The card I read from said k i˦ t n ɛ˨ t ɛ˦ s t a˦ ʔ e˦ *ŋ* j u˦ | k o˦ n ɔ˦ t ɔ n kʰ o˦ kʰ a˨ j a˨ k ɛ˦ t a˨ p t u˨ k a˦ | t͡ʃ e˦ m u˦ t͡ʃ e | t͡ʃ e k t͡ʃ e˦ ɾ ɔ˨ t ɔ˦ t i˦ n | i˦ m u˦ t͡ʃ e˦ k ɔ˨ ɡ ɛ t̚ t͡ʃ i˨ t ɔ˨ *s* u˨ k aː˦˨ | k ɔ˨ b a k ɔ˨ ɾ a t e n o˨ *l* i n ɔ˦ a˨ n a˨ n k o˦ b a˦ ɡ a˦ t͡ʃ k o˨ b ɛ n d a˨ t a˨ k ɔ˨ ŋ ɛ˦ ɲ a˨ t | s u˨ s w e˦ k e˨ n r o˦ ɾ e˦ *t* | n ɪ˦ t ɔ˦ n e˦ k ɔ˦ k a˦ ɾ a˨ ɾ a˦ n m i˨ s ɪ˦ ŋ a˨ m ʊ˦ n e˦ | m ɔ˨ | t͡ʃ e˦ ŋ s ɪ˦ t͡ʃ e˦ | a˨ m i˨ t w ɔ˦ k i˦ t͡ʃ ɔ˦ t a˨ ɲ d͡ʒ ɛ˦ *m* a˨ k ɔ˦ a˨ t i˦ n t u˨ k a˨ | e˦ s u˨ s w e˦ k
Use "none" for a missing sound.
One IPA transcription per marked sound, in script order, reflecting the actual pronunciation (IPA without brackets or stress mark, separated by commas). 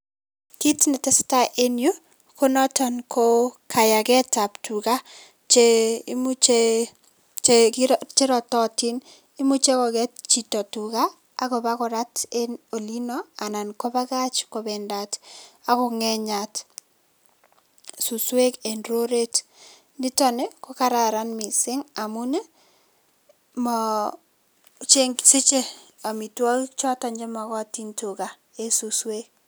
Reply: n, t, l, t, m